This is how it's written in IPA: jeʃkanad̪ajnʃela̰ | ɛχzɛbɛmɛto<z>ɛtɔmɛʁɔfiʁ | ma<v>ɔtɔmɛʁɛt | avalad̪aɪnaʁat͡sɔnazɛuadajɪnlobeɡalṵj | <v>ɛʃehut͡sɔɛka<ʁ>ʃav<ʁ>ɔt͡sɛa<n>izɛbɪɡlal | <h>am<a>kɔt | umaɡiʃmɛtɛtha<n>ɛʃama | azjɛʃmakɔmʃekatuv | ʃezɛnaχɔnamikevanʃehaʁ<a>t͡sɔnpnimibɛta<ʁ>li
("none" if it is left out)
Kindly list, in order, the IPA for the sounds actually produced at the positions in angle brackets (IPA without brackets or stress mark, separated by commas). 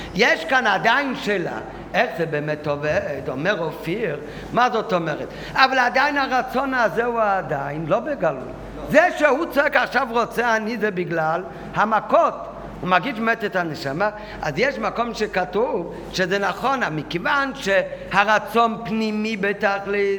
v, z, z, χ, ʁ, n, h, a, n, a, χ